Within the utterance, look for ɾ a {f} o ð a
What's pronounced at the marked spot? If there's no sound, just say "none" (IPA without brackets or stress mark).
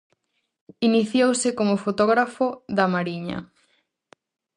f